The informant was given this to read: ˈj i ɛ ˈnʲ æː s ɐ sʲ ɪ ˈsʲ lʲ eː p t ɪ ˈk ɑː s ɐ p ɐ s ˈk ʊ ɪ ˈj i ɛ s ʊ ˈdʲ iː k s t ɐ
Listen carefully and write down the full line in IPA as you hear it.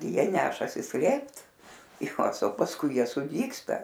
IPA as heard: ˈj i ɛ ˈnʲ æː ʃ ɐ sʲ ɪ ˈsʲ lʲ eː p t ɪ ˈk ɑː s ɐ p ɐ s ˈk ʊ ɪ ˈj i ɛ s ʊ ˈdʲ iː k s t ɐ